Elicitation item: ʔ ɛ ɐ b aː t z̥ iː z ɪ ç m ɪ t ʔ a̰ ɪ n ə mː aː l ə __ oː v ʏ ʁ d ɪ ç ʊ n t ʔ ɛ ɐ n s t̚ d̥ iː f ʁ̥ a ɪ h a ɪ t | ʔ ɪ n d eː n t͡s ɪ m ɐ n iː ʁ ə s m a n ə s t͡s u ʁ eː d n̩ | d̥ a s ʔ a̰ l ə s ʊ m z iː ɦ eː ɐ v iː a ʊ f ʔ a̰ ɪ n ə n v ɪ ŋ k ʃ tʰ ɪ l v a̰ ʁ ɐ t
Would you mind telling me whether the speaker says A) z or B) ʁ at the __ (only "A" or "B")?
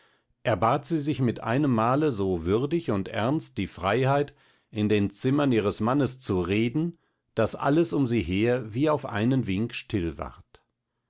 A